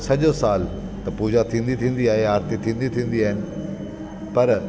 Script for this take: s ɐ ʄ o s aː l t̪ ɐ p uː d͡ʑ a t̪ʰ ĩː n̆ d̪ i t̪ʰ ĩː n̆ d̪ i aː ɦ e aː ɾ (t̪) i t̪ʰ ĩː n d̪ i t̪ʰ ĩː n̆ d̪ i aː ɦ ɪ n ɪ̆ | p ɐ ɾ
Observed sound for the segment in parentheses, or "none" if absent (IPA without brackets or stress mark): t̪